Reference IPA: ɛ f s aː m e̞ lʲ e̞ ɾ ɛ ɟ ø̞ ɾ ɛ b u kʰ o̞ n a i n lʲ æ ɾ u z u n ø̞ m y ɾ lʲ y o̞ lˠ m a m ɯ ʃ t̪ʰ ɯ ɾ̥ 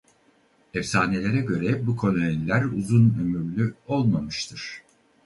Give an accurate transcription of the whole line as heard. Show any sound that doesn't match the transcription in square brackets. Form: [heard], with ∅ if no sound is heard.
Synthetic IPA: ɛ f s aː [n] e̞ lʲ e̞ ɾ ɛ ɟ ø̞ ɾ ɛ b u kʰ o̞ n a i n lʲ æ ɾ u z u n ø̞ m y ɾ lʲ y o̞ lˠ m a m ɯ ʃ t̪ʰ ɯ ɾ̥